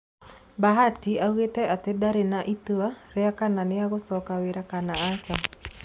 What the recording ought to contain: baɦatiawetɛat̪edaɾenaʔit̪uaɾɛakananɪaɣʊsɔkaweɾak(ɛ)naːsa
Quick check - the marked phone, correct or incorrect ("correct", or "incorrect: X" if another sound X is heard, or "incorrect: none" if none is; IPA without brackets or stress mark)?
incorrect: a